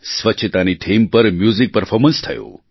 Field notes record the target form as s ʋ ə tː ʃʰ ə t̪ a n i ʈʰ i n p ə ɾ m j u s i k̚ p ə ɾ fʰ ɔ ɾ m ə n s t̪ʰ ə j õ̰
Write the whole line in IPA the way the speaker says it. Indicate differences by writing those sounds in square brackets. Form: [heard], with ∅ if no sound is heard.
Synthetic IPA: s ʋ ə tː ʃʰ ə t̪ a n i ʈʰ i [m] p ə ɾ m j u [z] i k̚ p ə ɾ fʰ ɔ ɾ m ə n s t̪ʰ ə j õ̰

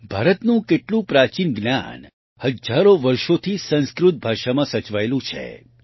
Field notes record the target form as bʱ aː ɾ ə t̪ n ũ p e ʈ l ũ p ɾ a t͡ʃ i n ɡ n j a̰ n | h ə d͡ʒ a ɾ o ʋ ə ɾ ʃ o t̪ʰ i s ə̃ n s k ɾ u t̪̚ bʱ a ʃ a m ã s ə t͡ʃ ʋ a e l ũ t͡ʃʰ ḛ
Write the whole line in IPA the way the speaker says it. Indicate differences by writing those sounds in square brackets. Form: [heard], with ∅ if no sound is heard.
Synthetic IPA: bʱ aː ɾ ə t̪ n ũ [k] e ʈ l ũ p ɾ a t͡ʃ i n ɡ n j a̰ n | h ə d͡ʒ a ɾ o ʋ ə ɾ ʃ o t̪ʰ i s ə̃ n s k ɾ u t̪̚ bʱ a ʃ a m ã s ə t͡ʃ ʋ a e l ũ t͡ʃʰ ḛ

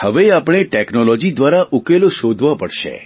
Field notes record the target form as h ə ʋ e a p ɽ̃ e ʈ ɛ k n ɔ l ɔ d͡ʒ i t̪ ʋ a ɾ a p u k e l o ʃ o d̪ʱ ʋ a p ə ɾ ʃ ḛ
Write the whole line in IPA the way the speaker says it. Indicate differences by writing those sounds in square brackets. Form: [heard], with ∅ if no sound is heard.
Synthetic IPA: h ə ʋ e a p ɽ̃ e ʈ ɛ k n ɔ l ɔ d͡ʒ i [d̪] ʋ a ɾ a [ʔ] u k e l o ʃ o d̪ʱ ʋ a p ə [ɽ] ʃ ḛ

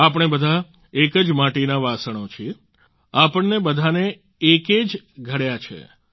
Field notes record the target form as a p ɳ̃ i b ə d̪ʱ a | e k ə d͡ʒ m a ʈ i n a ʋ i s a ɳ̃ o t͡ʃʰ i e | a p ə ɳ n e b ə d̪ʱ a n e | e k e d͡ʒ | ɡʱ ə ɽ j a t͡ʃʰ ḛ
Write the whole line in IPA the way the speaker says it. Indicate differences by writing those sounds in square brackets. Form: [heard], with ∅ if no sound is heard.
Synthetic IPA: a p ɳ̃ [e] b ə d̪ʱ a | e k ə d͡ʒ m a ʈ i n a ʋ [a] s [ə] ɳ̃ o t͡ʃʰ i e | a p ə ɳ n e b ə d̪ʱ a n e | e k e d͡ʒ | ɡʱ ə ɽ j a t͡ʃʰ ḛ

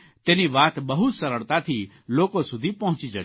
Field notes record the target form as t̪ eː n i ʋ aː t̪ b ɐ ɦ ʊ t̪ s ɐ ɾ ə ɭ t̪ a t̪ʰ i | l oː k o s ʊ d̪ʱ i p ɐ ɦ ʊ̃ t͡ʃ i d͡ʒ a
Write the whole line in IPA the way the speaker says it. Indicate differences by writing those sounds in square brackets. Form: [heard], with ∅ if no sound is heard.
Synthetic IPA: t̪ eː n i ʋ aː t̪ b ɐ ɦ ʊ t̪ s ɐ ɾ ə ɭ t̪ a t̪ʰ i | l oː k o s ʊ d̪ʱ i p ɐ ɦ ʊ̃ t͡ʃ i d͡ʒ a

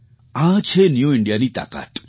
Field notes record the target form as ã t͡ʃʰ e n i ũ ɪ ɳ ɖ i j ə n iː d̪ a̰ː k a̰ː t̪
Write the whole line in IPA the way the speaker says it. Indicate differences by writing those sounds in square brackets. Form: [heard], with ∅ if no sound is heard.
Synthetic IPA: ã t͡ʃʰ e n [j] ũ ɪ ɳ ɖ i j [a] n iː [t̪] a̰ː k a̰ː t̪

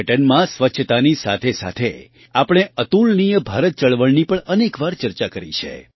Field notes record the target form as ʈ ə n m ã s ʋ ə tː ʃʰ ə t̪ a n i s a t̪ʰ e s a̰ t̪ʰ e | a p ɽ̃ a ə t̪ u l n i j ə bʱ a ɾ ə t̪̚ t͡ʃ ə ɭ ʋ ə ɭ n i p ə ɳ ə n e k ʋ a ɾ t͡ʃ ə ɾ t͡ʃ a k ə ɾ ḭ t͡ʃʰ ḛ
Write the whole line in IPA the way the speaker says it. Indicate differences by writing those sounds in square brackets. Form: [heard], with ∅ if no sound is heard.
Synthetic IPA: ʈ ə n m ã s ʋ ə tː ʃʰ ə t̪ a n i s a t̪ʰ e s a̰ t̪ʰ e | a p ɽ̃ [e] ə t̪ u l n i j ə bʱ a ɾ ə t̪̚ t͡ʃ ə ɭ ʋ ə ɭ n i p ə ɳ ə n e k ʋ a ɾ t͡ʃ ə ɾ t͡ʃ a k ə ɾ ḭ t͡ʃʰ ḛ

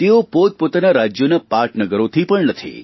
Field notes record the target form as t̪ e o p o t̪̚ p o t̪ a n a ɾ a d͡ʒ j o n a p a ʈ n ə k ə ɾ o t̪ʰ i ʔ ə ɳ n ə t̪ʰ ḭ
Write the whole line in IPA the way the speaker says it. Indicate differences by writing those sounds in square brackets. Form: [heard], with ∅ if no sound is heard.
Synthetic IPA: t̪ e o p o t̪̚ p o t̪ a n a ɾ a d͡ʒ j o n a p a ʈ n ə [ɡ] ə ɾ o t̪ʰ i [p] ə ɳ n ə t̪ʰ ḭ

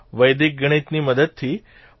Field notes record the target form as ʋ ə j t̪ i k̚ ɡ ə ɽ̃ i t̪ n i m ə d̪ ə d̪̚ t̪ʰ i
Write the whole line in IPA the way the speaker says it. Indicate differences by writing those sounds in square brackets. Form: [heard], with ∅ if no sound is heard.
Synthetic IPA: ʋ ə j [d̪] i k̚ ɡ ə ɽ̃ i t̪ n i m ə d̪ ə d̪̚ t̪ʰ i

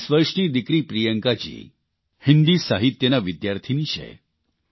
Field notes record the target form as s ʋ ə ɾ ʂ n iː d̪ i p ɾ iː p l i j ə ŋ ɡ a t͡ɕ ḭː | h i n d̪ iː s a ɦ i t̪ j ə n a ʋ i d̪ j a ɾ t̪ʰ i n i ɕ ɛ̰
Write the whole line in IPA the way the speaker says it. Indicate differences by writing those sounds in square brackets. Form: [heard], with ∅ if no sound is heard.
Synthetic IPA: s ʋ ə ɾ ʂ n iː d̪ i [k] ɾ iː p [ɾ] i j ə ŋ [k] a t͡ɕ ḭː | h i n d̪ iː s a ɦ i t̪ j ə n a ʋ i d̪ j a ɾ t̪ʰ i n i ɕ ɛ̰

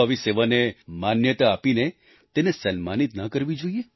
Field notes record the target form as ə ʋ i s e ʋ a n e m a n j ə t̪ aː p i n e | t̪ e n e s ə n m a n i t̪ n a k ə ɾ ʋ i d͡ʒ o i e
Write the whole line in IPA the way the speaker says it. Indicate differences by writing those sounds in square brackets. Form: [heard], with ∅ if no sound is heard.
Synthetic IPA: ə ʋ i s e ʋ a n e m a n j ə t̪ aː p i n e | t̪ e n e s ə n m a n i t̪ n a k ə ɾ ʋ i d͡ʒ o i e

